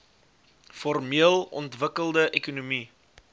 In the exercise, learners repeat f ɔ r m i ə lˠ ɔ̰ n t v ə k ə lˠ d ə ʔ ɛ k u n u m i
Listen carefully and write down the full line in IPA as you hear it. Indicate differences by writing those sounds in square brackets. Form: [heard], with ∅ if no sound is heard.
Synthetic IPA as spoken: f ɔ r m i ə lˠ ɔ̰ n t v ə k ə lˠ d ə ʔ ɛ k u n u m i